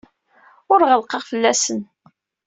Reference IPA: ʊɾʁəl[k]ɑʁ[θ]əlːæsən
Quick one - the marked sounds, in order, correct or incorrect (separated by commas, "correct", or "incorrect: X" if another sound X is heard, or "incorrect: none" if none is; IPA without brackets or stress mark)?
incorrect: q, incorrect: f